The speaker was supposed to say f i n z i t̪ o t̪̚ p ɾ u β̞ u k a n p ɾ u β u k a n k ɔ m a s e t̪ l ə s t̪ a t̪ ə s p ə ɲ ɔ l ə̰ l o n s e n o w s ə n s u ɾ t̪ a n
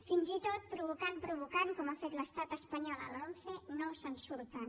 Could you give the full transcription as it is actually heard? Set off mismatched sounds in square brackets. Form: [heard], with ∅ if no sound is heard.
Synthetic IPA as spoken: f i n z i t̪ o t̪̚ p ɾ u β̞ u k a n p ɾ u β u k a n k ɔ m a [f] e t̪ l ə s t̪ a t̪ ə s p ə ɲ ɔ l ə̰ l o n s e n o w s ə n s u ɾ t̪ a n